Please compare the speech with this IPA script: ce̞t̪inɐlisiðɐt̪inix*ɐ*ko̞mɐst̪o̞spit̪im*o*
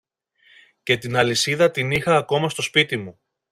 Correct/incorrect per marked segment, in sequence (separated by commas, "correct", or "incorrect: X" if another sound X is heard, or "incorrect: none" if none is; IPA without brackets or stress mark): incorrect: ɐː, incorrect: u